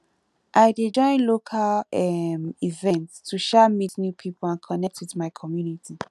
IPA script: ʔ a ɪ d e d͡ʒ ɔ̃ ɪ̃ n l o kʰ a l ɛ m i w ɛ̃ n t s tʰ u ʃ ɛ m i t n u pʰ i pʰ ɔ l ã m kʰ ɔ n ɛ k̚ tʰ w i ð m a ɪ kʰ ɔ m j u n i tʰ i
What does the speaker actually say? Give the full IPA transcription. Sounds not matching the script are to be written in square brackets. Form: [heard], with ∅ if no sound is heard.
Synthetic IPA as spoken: ʔ a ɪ d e d͡ʒ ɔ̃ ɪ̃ n l o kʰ a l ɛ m i [v] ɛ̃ n t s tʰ u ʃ ɛ m i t n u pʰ i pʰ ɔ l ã [n] kʰ ɔ n ɛ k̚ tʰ w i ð m a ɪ kʰ ɔ m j u n i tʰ i